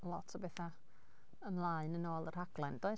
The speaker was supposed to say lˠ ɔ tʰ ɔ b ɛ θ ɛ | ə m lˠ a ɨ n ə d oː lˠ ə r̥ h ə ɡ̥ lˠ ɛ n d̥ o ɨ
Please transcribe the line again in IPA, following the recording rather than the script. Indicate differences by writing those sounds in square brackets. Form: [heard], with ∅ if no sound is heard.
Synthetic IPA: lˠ ɔ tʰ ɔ b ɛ θ [a] | ə m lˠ a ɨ n ə [n] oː lˠ ə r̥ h [a] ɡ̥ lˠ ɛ n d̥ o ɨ